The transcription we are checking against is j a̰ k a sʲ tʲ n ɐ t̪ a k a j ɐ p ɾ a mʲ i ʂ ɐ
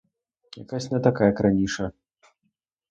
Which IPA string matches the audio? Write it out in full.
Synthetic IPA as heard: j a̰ k a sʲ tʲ n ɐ t̪ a k a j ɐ k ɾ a nʲ i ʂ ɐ